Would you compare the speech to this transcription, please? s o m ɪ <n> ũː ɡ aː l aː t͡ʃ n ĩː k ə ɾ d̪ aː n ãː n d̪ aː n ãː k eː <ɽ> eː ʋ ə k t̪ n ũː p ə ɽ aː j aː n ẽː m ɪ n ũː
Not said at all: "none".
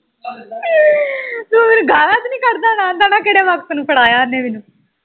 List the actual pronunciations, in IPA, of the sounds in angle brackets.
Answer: n, ɽ

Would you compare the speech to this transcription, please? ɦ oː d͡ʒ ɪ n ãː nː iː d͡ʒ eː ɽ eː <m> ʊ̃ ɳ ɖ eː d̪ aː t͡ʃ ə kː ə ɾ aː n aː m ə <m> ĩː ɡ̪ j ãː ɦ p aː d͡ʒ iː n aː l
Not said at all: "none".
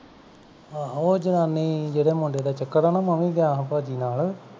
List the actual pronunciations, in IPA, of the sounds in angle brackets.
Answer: m, m

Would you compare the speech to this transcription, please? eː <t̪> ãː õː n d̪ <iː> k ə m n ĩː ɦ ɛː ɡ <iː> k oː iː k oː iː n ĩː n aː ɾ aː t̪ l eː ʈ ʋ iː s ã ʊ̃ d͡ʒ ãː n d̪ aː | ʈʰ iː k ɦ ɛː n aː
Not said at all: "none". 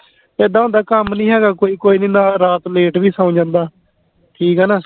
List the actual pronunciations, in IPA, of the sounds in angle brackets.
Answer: d̪, aː, aː

